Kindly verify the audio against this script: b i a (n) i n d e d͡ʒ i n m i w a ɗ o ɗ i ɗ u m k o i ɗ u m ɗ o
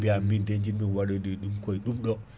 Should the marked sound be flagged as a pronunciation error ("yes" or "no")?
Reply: yes